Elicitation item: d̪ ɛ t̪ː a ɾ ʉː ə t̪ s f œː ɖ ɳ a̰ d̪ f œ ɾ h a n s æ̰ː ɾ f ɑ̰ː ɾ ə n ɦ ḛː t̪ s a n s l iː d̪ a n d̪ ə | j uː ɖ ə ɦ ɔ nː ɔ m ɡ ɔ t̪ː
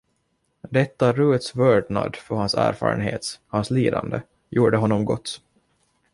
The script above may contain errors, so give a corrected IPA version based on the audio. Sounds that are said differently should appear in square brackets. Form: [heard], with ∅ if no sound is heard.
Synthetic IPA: d̪ ɛ t̪ː a ɾ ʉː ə t̪ s [v] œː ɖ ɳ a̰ d̪ f œ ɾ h a n s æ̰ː ɾ f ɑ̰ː ɾ ə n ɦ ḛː t̪ [h] a n s l iː d̪ a n d̪ ə | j uː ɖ ə ɦ ɔ nː ɔ m ɡ ɔ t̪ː